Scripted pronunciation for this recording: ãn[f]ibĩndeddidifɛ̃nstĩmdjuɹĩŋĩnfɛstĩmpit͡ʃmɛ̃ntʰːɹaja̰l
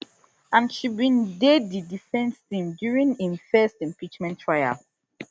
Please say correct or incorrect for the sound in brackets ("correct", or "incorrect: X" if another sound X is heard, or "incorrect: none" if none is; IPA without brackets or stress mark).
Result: incorrect: ʃ